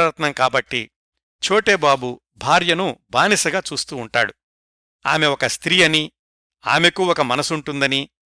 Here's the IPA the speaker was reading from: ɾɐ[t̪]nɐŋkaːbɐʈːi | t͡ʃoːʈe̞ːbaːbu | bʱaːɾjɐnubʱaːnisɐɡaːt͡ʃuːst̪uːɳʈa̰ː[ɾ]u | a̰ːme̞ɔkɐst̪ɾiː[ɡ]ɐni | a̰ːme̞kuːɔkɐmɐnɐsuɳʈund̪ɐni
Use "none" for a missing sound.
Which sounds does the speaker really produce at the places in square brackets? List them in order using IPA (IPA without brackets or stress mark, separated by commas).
t̪, ɽ, none